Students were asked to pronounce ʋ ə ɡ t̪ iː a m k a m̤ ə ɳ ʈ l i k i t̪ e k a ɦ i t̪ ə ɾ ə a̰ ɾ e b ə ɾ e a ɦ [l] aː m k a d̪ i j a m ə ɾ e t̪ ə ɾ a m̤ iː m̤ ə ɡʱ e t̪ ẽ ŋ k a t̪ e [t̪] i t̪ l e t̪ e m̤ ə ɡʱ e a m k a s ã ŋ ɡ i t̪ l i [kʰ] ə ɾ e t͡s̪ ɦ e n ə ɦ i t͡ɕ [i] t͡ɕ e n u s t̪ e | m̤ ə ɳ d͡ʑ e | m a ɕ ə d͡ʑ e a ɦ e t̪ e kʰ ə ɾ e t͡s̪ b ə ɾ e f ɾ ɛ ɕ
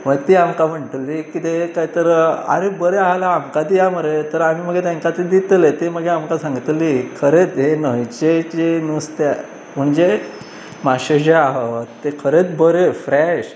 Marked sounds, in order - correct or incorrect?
correct, incorrect: d̪, correct, incorrect: e

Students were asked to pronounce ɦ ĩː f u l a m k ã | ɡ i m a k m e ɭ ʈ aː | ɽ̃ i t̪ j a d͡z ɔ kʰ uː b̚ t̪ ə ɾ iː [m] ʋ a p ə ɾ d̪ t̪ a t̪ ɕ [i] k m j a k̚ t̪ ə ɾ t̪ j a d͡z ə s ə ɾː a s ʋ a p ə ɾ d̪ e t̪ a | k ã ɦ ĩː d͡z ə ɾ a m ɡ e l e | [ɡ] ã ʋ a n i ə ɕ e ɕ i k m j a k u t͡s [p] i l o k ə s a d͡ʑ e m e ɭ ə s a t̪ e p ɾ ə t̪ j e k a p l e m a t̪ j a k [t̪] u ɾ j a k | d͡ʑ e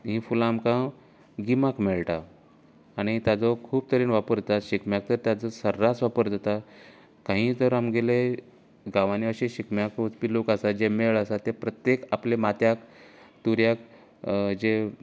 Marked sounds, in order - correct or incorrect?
incorrect: n, correct, correct, correct, correct

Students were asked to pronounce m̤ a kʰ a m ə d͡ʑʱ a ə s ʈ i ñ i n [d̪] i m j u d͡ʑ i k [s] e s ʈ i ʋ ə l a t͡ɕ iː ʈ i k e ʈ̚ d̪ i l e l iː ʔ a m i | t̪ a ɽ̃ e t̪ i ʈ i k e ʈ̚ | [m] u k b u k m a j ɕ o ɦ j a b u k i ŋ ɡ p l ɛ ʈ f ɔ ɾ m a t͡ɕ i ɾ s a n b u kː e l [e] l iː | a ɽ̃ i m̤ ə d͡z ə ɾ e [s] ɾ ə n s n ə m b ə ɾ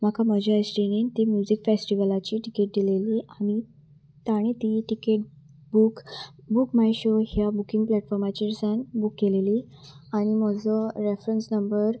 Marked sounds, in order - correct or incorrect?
incorrect: t̪, incorrect: f, incorrect: b, correct, incorrect: f

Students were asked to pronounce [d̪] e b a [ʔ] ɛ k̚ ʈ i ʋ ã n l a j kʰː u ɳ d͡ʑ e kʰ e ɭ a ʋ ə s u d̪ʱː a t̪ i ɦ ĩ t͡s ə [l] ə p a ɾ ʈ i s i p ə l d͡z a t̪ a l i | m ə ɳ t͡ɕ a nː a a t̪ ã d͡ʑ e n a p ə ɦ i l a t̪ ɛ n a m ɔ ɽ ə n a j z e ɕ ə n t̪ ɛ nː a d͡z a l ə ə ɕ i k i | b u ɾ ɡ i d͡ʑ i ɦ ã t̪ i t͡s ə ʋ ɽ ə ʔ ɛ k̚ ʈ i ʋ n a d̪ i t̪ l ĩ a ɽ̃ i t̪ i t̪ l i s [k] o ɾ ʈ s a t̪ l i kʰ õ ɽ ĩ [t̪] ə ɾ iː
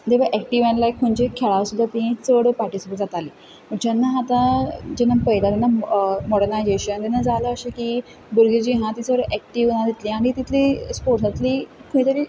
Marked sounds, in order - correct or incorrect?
correct, correct, incorrect: ɽ, incorrect: p, correct

